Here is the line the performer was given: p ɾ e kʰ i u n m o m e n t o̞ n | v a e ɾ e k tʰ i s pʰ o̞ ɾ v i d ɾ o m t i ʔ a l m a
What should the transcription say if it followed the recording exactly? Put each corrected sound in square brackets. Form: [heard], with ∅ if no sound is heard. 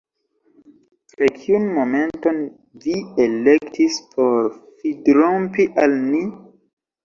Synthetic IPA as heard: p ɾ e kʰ i u n m o m e n t o̞ n | v [i] e [l] e k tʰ i s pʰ o̞ ɾ [f] i d ɾ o m [p] i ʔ a l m [i]